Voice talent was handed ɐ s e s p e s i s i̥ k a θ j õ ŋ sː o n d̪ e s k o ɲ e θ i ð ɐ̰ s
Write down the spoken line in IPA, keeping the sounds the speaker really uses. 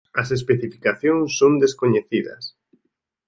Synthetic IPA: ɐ s e s p e θ i f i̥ k a θ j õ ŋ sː o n d̪ e s k o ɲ e θ i ð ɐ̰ s